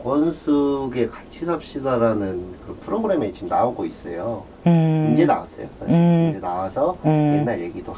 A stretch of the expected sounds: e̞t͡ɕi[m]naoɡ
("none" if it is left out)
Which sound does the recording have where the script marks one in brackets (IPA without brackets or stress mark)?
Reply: m